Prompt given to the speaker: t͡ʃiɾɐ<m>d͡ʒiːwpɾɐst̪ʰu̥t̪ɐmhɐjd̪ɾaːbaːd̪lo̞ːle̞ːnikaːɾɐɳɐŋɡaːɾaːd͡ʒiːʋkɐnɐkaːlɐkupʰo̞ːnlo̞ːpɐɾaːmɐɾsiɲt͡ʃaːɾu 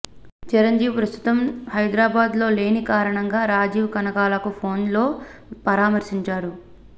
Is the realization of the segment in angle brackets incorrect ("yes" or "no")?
yes